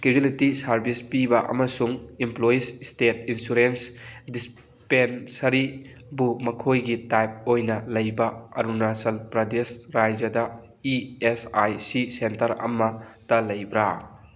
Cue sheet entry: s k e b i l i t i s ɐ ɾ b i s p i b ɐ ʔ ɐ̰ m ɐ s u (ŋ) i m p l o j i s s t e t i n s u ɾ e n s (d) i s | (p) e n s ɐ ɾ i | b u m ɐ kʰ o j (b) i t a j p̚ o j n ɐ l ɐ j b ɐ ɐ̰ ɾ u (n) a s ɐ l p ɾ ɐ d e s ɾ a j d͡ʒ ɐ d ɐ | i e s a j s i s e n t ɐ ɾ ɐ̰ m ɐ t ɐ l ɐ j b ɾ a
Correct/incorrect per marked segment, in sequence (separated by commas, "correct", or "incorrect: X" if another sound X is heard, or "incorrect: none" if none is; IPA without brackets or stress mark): correct, correct, correct, incorrect: ɡ, correct